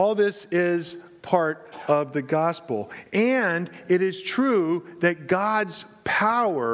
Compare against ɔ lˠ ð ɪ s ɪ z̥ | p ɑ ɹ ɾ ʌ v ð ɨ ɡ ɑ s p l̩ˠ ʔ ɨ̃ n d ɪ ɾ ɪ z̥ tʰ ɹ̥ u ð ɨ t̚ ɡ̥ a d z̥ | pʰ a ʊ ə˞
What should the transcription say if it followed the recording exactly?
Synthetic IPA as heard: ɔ lˠ ð ɪ s ɪ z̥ | pʰ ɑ ɹ ɾ ʌ v ð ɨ ɡ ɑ s p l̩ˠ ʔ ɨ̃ n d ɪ ɾ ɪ z̥ tʰ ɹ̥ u ð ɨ t̚ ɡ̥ ɑ d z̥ | pʰ a ʊ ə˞